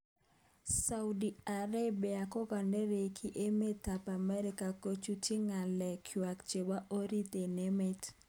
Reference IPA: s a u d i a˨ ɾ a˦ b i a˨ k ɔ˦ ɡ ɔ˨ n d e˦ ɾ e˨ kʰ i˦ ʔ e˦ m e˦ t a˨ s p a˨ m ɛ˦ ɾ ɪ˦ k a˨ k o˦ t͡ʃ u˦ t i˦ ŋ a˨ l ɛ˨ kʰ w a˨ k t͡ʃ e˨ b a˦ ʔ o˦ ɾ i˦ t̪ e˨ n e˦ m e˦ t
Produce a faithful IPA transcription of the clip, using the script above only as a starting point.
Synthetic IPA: s a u d i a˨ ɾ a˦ b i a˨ k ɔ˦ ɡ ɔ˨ n d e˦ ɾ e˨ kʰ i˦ ʔ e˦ m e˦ t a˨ p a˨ m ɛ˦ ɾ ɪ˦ k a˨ k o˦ t͡ʃ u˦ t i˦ ŋ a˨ l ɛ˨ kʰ w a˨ k t͡ʃ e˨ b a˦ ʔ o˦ ɾ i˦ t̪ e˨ n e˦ m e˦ t